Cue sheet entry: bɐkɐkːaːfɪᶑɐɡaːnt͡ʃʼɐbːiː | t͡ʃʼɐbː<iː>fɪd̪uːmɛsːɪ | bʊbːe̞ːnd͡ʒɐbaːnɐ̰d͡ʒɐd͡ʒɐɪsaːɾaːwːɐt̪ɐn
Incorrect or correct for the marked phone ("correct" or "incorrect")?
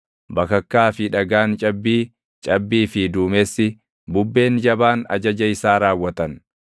correct